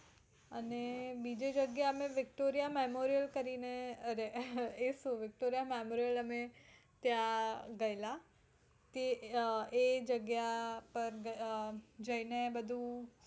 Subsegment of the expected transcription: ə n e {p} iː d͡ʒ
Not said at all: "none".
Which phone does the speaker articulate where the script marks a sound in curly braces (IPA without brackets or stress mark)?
b